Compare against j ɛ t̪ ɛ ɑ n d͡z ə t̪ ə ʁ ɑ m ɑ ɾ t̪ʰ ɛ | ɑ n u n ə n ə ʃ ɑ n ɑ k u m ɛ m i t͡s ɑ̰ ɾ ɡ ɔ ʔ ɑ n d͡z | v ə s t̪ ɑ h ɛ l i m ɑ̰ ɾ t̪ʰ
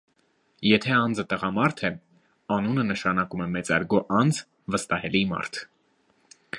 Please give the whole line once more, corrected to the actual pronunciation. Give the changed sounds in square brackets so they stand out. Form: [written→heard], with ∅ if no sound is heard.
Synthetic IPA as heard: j ɛ [t̪→t̪ʰ] ɛ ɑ n d͡z ə t̪ ə ʁ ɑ m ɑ ɾ t̪ʰ ɛ | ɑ n u n ə n ə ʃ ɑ n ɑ k u m ɛ m [i→ɛ] t͡s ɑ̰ ɾ ɡ ɔ ʔ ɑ n d͡z | v ə s t̪ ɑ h ɛ l i m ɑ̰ ɾ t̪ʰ